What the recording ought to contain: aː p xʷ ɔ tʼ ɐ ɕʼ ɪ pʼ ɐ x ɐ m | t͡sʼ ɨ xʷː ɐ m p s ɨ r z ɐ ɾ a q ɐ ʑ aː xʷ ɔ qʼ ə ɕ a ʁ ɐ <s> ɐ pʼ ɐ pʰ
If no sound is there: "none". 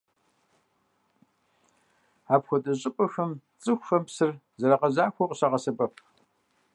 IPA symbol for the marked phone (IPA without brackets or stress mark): s